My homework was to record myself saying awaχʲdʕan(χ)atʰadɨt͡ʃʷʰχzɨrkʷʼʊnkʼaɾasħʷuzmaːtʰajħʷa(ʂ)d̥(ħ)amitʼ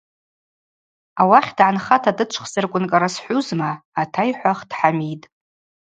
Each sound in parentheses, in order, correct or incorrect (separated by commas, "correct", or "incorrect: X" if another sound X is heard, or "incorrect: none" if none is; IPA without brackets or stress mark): correct, incorrect: χ, correct